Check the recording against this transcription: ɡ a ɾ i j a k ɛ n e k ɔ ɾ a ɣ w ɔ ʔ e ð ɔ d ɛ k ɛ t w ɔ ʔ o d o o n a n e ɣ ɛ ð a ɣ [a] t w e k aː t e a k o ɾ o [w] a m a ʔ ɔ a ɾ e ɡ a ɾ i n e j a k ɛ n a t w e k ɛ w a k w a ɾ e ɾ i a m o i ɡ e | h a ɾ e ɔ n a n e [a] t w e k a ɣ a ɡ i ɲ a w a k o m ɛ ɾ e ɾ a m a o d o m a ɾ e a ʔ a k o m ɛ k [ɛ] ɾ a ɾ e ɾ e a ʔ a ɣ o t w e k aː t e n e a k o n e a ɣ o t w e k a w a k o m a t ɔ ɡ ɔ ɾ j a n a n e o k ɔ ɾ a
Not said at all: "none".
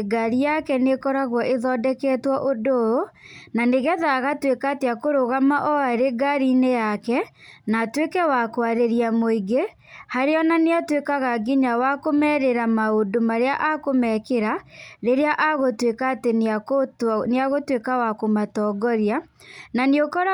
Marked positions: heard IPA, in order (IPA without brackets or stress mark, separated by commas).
a, ɣ, a, e